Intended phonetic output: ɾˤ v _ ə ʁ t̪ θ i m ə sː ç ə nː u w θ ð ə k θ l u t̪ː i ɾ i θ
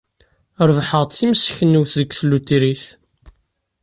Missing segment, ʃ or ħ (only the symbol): ħ